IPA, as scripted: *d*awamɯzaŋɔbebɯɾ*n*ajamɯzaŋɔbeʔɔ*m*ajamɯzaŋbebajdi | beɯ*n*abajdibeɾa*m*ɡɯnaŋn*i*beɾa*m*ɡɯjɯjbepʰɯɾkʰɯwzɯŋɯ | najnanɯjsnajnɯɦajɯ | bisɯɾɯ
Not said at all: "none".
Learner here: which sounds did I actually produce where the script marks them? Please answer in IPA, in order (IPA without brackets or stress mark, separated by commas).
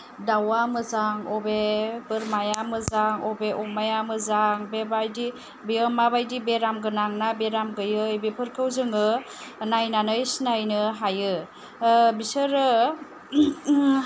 d, m, m, m, m, a, m